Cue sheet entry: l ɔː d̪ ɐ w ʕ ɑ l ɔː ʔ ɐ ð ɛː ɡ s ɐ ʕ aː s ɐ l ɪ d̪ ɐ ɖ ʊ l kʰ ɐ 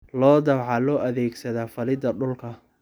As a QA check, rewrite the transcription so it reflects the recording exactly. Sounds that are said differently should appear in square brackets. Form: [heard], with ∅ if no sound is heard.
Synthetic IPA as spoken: l ɔː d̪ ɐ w ʕ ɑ l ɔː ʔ ɐ ð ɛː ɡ s ɐ [ð] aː [f] ɐ l ɪ d̪ ɐ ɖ ʊ l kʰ ɐ